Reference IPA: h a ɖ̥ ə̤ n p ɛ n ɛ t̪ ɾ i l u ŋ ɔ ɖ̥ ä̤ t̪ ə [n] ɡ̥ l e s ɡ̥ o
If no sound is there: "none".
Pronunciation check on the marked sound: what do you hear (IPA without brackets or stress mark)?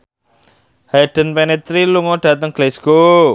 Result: ŋ